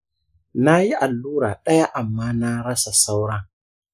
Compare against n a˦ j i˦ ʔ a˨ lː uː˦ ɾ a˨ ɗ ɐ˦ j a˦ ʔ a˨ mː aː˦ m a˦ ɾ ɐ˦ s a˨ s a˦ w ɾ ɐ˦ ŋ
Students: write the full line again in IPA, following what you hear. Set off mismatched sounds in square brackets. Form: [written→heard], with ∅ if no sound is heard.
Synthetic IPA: n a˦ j i˦ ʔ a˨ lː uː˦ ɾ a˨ ɗ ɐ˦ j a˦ ʔ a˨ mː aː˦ [m→n] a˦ ɾ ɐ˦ s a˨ s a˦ w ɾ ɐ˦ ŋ